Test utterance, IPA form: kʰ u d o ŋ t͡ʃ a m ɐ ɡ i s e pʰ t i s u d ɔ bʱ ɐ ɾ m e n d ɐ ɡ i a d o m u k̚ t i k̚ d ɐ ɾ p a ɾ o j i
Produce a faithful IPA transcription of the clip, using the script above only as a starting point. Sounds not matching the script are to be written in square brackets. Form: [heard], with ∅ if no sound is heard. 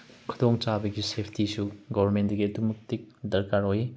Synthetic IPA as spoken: kʰ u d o ŋ t͡ʃ a [b] ɐ ɡ i s e pʰ t i s u [ɡ] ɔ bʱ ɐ ɾ m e n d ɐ ɡ i [ɐ] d [u] m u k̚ t i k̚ d ɐ ɾ [k] a ɾ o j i